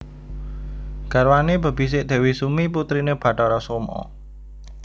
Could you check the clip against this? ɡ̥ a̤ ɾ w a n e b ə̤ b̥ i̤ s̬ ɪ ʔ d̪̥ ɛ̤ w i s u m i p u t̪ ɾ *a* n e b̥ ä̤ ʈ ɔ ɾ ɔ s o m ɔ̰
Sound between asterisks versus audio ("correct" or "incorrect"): incorrect